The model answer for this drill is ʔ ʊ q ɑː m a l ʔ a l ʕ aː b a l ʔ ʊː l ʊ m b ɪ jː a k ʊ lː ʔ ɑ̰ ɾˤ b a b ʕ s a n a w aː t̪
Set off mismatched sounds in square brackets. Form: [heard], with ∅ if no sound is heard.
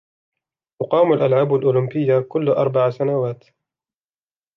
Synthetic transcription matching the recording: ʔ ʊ q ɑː m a l ʔ a l ʕ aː b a l ʔ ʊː l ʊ m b ɪ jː a k ʊ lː ʔ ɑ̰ ɾˤ b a [∅] ʕ s a n a w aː t̪